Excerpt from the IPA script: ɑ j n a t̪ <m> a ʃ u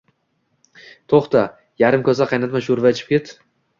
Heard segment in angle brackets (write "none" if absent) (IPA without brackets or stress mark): m